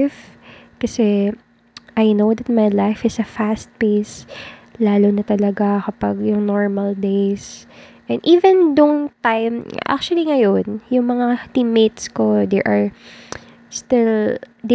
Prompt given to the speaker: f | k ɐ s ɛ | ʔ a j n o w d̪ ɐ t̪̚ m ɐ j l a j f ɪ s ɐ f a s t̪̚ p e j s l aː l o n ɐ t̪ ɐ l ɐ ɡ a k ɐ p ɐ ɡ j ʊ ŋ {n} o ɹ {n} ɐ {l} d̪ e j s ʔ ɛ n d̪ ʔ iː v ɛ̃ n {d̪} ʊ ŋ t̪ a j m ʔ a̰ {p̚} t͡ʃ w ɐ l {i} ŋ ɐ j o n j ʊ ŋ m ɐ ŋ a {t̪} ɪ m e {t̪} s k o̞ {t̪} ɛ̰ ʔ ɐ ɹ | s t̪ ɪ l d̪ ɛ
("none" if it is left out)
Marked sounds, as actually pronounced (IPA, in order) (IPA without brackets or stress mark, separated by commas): n, m, l, d̪, k̚, i, t̪, t̪, d̪